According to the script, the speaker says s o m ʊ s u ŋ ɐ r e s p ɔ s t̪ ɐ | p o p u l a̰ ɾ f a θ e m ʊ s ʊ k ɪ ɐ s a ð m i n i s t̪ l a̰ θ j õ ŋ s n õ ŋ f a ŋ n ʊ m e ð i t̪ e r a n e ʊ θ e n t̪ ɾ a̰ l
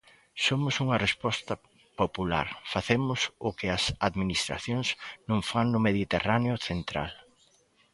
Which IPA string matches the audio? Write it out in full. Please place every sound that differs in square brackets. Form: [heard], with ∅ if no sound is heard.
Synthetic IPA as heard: s o m ʊ s u ŋ ɐ r e s p ɔ s t̪ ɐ | p o p u l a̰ ɾ f a θ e m ʊ s ʊ k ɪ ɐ s a ð m i n i s t̪ [ɾ] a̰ θ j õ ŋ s n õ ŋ f a ŋ n ʊ m e ð i t̪ e r a n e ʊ θ e n t̪ ɾ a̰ l